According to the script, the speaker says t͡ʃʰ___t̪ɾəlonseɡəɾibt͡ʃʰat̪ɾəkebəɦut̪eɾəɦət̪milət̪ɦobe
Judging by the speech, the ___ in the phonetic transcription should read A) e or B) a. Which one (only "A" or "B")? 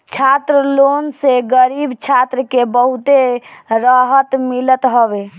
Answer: B